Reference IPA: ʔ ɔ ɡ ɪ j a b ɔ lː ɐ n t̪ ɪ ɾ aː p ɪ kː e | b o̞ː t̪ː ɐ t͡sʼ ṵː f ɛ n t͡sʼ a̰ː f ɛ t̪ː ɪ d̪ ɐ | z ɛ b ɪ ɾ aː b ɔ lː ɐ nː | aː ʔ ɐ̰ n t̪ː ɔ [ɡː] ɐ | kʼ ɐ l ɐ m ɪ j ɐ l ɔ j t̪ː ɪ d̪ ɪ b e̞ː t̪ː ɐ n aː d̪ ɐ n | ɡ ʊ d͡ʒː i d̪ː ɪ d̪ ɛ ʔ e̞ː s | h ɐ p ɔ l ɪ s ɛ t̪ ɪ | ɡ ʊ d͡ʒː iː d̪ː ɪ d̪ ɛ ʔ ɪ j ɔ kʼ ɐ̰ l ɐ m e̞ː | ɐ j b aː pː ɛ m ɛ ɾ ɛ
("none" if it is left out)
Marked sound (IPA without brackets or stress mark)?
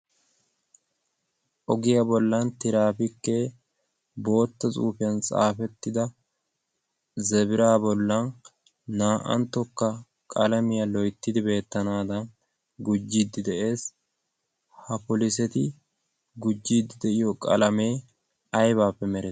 kː